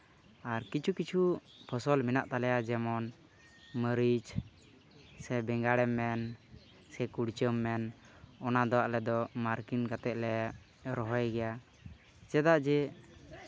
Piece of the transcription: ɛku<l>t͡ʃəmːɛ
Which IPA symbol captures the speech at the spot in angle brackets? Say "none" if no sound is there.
ɽ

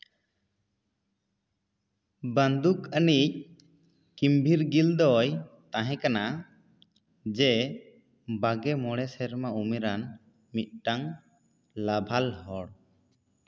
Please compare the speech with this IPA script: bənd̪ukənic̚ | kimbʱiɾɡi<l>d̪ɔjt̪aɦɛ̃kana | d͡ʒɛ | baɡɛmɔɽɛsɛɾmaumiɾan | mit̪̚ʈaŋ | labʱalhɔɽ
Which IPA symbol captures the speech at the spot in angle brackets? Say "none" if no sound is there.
l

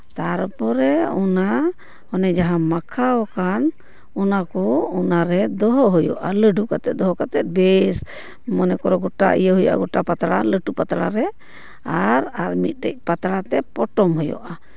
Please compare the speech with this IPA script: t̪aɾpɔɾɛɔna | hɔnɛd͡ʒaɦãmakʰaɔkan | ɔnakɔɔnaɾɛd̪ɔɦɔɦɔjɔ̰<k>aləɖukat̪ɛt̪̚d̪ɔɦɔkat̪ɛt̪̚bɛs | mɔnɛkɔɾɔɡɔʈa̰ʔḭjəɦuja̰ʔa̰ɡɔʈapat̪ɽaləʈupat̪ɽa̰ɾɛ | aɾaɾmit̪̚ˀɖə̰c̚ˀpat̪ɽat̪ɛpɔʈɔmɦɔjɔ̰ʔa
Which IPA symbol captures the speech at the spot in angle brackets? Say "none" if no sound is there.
ʔ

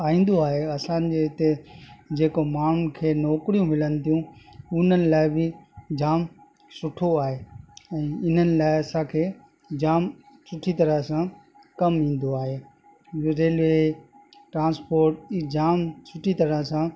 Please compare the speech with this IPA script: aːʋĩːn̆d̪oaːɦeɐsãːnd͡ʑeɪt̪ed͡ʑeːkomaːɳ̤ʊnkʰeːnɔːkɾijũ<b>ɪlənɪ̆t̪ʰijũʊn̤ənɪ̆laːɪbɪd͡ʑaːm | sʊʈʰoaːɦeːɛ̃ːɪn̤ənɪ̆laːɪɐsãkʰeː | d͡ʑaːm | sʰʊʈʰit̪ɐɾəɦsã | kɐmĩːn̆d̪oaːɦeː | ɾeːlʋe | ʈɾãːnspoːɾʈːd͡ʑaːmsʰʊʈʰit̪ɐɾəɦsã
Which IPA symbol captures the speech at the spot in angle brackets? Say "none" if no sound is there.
m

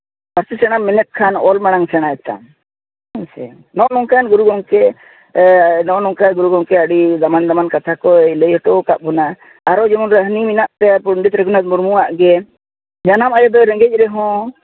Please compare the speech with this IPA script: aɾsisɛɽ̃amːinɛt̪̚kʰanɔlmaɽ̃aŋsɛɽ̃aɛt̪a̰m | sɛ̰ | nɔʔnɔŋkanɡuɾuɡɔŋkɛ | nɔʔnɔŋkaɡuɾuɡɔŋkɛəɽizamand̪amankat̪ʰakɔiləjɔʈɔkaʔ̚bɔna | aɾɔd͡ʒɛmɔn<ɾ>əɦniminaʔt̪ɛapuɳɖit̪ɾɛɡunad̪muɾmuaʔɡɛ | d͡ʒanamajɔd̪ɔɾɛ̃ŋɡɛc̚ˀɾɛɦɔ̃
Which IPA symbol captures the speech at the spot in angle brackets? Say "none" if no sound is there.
ɾ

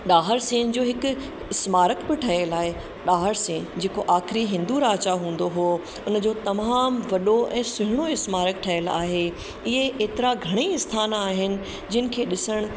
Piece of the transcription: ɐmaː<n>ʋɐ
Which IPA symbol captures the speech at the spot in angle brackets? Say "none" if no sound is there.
m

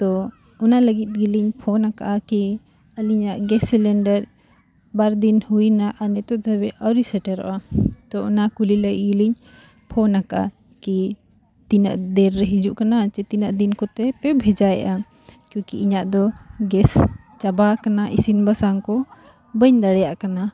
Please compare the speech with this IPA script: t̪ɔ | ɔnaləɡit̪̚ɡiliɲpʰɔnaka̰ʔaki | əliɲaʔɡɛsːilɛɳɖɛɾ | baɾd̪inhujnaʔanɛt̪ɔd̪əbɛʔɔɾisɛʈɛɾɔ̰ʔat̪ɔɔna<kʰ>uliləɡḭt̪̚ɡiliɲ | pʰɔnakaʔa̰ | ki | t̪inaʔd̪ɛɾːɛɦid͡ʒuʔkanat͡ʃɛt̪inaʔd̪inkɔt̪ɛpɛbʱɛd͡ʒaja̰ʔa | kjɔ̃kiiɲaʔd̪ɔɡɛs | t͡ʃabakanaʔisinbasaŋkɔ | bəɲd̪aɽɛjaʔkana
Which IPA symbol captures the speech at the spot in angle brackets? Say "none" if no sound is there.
k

